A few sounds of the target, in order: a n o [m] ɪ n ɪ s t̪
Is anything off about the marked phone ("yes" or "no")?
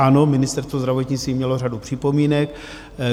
no